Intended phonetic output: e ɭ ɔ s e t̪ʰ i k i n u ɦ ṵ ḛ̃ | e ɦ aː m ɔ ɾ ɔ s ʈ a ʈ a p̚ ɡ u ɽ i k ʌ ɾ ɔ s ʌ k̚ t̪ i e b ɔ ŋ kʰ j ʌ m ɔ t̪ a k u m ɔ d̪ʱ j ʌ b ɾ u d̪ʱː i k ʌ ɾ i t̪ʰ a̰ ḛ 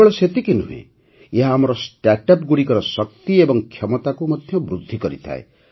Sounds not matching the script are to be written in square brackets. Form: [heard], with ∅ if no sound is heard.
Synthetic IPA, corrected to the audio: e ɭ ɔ s e [t̪] i k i n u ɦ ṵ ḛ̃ | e ɦ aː m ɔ ɾ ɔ s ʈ a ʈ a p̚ ɡ u ɽ i k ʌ ɾ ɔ s ʌ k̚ t̪ i e b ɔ ŋ kʰ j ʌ m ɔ t̪ a k u m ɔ d̪ʱ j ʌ b ɾ u d̪ʱː i k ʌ ɾ i t̪ʰ a̰ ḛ